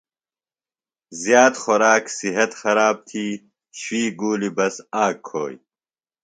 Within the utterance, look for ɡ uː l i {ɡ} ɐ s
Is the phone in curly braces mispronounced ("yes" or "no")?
yes